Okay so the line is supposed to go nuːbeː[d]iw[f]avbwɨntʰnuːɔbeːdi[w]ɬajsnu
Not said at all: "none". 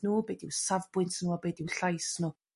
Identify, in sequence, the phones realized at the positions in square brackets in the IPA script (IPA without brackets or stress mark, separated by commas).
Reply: d, s, w